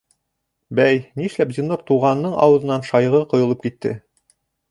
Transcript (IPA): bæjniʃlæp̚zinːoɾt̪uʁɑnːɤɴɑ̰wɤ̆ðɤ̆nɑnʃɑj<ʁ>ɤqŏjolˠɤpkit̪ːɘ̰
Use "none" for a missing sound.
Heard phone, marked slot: ʁ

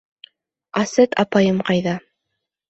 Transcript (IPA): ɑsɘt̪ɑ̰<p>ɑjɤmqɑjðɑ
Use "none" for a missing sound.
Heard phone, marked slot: p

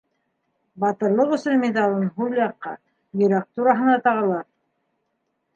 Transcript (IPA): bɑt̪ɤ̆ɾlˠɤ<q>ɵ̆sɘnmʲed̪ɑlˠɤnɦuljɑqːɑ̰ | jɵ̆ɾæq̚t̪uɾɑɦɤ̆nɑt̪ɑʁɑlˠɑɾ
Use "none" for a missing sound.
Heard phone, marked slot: q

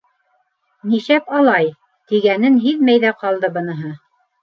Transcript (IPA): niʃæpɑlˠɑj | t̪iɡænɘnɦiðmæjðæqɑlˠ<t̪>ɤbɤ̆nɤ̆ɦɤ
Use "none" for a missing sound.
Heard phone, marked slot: d̪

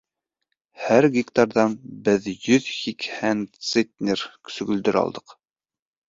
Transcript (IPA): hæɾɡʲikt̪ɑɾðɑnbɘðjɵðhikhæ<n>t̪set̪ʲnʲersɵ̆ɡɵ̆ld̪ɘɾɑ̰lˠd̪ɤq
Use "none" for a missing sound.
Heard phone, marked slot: n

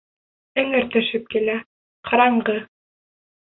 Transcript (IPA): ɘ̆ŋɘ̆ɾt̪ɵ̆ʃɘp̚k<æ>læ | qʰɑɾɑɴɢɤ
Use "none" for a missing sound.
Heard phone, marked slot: i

